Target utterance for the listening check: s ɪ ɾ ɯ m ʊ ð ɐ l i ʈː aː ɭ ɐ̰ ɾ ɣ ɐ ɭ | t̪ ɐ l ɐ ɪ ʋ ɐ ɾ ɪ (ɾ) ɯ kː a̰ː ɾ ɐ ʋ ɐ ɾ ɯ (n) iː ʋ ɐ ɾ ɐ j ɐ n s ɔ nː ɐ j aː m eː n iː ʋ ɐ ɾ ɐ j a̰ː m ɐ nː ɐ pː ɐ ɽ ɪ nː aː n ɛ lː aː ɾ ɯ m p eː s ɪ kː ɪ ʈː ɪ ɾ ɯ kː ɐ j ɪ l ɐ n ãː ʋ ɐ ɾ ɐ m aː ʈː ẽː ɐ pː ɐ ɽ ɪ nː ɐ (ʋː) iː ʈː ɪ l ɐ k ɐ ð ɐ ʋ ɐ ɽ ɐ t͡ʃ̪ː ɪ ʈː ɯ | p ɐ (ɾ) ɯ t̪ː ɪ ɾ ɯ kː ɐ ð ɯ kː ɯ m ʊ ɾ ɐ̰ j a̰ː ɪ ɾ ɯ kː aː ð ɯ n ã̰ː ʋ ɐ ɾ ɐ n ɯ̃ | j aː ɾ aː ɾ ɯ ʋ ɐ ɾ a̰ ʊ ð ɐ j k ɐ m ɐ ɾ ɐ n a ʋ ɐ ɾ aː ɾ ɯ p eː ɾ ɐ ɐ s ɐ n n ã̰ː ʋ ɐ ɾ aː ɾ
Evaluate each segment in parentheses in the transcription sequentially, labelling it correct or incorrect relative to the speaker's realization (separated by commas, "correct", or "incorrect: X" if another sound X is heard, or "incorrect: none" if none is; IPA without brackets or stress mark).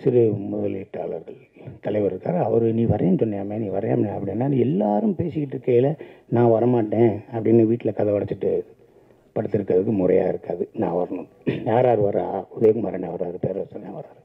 correct, correct, incorrect: ʋ, incorrect: ɽ